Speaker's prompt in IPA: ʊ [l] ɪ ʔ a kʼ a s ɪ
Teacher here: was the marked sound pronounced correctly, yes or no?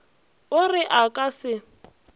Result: no